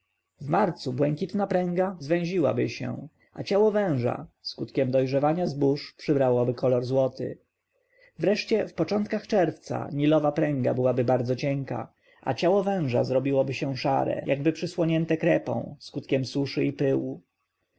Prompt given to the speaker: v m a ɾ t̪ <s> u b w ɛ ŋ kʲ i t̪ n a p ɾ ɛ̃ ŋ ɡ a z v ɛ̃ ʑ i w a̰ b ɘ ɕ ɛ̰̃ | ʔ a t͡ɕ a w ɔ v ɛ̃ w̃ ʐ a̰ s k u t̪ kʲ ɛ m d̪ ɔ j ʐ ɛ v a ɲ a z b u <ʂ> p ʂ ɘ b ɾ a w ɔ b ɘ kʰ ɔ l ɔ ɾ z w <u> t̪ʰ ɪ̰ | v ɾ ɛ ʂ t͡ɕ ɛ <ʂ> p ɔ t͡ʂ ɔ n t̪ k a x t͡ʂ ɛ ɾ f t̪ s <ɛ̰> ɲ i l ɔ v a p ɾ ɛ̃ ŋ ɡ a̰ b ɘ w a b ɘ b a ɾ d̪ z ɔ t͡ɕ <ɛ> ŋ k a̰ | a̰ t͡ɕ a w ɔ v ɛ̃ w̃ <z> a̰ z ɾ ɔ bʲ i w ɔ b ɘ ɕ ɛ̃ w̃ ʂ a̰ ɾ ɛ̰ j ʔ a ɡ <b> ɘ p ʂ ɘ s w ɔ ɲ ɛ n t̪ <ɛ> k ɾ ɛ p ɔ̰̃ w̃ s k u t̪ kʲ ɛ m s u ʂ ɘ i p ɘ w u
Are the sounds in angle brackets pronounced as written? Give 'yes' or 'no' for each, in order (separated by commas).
yes, yes, no, no, no, yes, no, yes, yes